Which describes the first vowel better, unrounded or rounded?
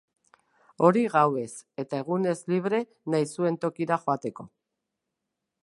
rounded